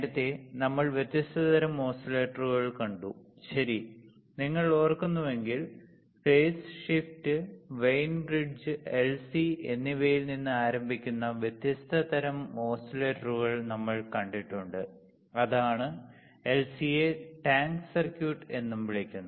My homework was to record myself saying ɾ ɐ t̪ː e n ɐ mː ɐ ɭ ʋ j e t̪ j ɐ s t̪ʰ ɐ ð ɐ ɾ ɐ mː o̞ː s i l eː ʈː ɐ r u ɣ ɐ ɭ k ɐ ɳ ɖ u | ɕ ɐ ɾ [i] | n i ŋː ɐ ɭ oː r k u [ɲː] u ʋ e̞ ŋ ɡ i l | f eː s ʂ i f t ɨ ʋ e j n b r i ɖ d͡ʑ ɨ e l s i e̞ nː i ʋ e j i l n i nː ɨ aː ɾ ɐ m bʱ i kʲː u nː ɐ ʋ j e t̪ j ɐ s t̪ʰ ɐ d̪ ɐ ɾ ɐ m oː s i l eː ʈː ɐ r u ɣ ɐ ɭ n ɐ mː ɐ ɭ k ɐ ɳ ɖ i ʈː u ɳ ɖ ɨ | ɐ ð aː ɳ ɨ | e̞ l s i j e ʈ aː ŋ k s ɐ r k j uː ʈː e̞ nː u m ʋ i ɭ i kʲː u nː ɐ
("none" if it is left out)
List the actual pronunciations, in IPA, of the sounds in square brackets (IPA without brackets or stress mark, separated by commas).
i, nː